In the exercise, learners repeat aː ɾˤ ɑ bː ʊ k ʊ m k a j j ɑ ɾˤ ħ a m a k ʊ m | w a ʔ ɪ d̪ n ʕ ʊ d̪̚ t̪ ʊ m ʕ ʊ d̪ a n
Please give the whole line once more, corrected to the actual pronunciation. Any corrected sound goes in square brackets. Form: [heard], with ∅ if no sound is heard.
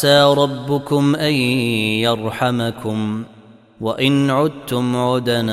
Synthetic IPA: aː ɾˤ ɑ bː ʊ k ʊ m [ʔ] a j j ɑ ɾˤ ħ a m a k ʊ m | w a ʔ ɪ [∅] n ʕ ʊ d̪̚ t̪ ʊ m ʕ ʊ d̪ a n